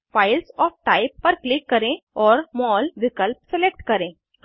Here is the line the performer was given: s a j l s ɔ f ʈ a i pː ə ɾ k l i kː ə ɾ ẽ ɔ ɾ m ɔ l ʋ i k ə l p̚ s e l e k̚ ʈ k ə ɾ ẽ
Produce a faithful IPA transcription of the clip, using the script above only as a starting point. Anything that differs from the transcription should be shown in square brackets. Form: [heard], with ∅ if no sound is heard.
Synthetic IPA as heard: [f] a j l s ɔ f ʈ a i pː ə ɾ k l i kː ə ɾ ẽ ɔ ɾ m ɔ l ʋ i k ə l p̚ s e l e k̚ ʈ k ə ɾ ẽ